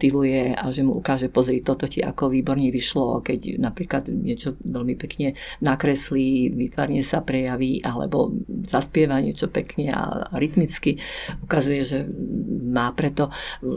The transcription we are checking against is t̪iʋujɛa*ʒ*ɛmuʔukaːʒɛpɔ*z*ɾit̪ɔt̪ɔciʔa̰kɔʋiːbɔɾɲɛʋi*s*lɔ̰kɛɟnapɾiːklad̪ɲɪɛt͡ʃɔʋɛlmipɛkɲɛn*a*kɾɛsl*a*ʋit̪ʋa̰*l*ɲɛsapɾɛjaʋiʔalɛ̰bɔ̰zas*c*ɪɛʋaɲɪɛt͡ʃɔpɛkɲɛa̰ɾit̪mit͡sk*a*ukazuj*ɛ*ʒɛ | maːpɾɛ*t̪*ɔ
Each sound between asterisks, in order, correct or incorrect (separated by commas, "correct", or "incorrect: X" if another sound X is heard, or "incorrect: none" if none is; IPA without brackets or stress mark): correct, correct, incorrect: ʃ, correct, incorrect: i, incorrect: ɾ, incorrect: p, incorrect: i, correct, correct